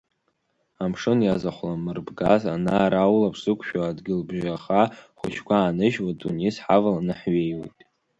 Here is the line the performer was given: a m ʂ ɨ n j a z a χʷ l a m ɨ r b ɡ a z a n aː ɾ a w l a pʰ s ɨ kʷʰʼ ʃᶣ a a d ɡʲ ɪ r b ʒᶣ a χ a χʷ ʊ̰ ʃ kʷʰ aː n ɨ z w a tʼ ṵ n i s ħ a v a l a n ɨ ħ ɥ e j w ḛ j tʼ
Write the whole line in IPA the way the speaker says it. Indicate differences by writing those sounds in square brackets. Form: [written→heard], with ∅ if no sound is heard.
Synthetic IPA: a m ʂ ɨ n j a z a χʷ l a m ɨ r b ɡ a z a n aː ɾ a w l a pʰ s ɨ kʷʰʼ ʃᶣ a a d ɡʲ ɪ [r→l] b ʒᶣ a χ a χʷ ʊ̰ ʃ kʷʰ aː n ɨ [z→ʒ] w a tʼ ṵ n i s ħ a v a l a n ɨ ħ ɥ e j w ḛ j tʼ